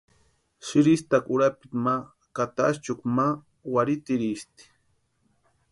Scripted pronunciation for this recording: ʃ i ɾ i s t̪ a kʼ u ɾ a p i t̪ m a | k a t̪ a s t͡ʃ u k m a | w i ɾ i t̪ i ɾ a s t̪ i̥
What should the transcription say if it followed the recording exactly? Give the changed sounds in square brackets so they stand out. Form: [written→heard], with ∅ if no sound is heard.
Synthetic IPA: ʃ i ɾ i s t̪ a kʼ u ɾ a p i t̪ m a | k a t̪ a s t͡ʃ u k m a | w [i→a] ɾ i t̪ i ɾ [a→i] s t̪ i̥